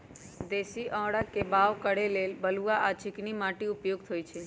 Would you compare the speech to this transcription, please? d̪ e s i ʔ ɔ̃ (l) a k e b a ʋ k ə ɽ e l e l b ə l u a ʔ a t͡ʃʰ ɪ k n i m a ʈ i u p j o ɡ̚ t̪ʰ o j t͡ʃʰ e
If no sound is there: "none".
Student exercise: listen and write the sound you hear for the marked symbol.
ɽ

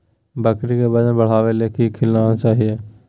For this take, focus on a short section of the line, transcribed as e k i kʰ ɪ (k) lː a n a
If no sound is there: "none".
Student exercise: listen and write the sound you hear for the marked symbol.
none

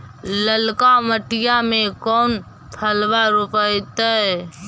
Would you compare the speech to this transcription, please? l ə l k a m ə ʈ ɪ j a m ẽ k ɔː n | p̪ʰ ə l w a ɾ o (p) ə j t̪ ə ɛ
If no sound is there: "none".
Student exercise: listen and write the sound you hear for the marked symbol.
p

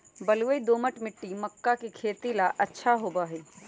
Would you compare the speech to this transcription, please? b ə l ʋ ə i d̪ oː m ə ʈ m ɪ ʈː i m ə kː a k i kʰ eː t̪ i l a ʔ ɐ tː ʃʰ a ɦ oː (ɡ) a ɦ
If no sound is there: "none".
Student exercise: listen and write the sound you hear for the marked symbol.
b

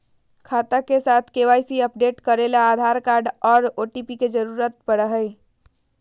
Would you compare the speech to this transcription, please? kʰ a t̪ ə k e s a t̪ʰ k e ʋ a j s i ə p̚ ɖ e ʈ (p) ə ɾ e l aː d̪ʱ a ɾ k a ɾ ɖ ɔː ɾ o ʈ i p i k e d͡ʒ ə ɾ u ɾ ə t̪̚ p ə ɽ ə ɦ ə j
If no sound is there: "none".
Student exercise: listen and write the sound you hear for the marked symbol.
k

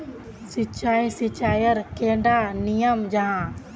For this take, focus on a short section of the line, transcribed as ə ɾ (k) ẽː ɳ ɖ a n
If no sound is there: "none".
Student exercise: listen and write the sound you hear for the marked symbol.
k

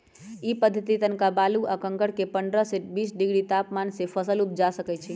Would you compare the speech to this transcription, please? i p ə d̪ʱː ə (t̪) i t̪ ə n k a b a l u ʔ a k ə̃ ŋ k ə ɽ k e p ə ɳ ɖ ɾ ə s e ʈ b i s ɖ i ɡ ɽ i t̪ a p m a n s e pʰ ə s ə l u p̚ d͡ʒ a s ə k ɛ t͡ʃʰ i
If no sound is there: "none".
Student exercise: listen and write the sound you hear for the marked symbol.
t̪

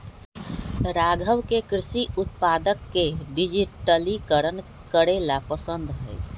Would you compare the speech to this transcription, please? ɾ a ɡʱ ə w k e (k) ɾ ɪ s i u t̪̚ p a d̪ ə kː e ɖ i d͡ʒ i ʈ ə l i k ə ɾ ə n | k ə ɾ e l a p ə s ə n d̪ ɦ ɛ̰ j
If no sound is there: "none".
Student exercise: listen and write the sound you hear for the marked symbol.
k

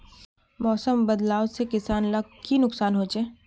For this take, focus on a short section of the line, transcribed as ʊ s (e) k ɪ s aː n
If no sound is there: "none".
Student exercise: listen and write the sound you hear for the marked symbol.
e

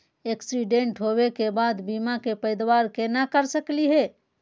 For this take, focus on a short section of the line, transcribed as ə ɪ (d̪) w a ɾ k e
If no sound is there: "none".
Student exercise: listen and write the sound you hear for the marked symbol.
d̪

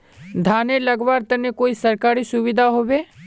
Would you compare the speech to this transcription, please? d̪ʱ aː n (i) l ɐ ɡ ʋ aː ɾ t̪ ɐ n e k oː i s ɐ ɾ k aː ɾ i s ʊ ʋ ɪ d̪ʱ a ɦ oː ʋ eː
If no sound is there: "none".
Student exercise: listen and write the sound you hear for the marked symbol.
e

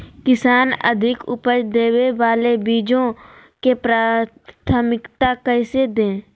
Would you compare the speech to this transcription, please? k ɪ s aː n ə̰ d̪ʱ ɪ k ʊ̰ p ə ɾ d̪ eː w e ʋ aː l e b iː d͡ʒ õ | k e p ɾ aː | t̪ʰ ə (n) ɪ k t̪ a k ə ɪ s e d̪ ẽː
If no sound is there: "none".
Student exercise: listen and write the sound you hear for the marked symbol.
m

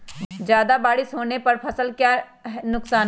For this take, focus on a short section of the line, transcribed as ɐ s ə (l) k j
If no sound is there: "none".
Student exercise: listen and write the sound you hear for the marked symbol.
l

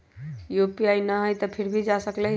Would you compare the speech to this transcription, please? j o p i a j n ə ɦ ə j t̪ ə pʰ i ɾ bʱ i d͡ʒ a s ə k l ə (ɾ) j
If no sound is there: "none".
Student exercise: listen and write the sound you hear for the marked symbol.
none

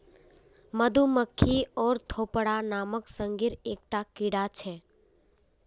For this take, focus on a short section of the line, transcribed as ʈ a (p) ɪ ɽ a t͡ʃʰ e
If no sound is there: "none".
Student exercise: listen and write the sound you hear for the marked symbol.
k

